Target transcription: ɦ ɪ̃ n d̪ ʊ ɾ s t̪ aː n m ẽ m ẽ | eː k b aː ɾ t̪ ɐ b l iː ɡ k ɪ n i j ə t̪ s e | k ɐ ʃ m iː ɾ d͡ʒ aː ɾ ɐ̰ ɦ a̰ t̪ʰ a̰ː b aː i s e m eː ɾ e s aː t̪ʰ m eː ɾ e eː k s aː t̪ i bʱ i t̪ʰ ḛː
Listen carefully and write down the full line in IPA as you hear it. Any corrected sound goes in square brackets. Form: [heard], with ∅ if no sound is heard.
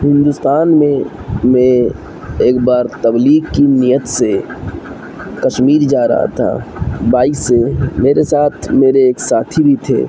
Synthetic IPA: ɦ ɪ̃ n d̪ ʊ [∅] s t̪ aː n m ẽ m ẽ | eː k b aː ɾ t̪ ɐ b l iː ɡ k [i] n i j ə t̪ s e | k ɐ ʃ m iː ɾ d͡ʒ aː ɾ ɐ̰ ɦ a̰ t̪ʰ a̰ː b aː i s e m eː ɾ e s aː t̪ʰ m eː ɾ e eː k s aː [t̪ʰ] i bʱ i t̪ʰ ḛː